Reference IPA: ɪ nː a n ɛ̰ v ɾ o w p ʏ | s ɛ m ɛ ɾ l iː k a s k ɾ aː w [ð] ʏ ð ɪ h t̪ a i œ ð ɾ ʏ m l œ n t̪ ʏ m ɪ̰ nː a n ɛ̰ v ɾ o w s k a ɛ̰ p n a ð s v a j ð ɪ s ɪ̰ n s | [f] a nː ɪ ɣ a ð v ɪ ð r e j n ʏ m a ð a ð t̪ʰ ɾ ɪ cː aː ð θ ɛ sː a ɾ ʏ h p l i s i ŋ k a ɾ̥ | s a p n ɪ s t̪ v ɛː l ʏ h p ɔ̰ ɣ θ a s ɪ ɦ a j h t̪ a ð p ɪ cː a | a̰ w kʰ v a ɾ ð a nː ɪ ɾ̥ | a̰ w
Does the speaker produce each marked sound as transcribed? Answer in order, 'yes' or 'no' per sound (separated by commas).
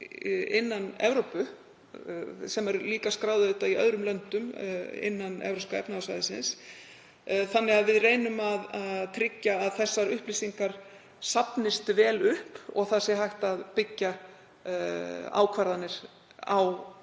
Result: yes, no